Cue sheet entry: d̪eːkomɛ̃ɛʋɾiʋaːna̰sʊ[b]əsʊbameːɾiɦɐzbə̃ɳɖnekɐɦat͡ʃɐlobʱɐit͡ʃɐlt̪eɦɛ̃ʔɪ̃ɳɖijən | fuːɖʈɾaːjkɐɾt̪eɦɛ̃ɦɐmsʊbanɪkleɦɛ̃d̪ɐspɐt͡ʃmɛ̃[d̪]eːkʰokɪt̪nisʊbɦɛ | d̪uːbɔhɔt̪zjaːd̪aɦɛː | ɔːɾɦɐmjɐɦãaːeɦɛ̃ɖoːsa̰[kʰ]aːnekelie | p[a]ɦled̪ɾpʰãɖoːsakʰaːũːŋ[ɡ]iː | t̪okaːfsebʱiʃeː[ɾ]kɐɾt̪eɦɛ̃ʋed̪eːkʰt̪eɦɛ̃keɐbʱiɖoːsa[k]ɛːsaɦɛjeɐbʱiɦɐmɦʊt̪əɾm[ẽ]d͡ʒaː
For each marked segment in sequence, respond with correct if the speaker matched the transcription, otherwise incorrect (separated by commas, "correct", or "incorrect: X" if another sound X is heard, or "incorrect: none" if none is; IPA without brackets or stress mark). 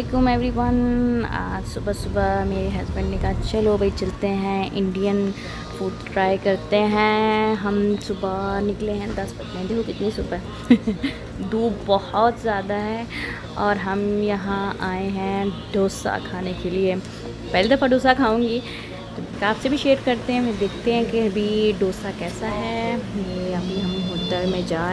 correct, correct, correct, incorrect: ɛ, correct, correct, correct, correct